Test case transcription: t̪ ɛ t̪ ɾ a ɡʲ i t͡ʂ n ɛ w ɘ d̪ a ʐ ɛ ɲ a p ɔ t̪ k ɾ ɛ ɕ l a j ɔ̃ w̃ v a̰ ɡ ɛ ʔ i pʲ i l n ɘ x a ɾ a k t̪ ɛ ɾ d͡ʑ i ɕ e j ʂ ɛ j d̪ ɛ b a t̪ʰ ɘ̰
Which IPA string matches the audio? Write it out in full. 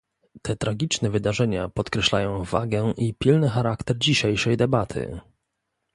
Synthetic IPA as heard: t̪ ɛ t̪ ɾ a ɡʲ i t͡ʂ n ɛ v ɘ d̪ a ʐ ɛ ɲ a p ɔ t̪ k ɾ ɛ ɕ l a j ɔ̃ w̃ v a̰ ɡ ɛ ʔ i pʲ i l n ɘ x a ɾ a k t̪ ɛ ɾ d͡ʑ i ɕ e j ʂ ɛ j d̪ ɛ b a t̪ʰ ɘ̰